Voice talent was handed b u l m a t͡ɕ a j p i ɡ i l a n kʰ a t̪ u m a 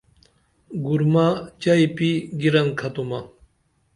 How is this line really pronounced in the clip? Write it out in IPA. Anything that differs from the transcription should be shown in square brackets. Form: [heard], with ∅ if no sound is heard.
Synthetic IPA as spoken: [ɡ] u [ɾ] m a t͡ɕ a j p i ɡ i [ɾ] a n kʰ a t̪ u m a